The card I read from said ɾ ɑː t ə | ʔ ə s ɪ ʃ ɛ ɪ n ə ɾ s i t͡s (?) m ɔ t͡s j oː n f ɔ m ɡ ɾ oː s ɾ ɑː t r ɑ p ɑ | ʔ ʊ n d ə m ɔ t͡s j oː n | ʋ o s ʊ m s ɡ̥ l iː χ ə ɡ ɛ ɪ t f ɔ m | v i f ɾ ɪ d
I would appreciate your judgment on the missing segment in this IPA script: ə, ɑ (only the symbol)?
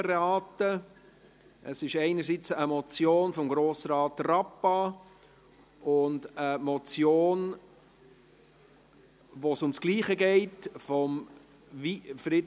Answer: ə